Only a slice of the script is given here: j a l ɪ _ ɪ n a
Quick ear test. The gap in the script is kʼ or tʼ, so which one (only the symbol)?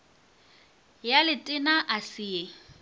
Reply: tʼ